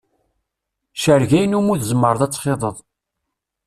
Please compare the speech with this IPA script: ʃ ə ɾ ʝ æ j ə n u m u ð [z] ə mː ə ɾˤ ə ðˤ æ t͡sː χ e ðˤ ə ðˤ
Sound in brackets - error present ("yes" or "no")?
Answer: no